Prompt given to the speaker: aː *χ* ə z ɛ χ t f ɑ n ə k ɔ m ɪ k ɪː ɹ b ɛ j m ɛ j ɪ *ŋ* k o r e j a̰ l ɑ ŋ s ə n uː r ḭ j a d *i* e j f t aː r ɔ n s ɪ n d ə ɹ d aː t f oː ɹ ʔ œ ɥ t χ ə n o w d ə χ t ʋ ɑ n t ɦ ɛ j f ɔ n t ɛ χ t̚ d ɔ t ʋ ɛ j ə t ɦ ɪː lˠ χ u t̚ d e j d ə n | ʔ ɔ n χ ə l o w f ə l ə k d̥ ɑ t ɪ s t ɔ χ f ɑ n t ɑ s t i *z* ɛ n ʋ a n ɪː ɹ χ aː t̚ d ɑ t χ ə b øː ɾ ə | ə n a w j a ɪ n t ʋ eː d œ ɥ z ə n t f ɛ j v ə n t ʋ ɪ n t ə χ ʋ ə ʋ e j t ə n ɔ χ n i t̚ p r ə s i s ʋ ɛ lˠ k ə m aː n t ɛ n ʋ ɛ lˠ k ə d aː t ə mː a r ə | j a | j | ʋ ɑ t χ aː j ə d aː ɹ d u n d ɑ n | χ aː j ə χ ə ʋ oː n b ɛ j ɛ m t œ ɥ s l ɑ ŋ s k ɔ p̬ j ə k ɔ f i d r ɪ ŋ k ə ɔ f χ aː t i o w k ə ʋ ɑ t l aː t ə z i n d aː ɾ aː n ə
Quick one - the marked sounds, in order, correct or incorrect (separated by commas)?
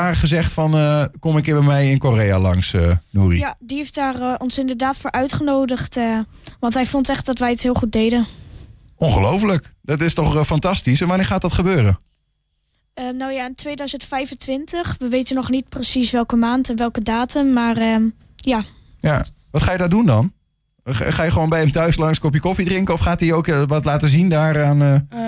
correct, incorrect, correct, incorrect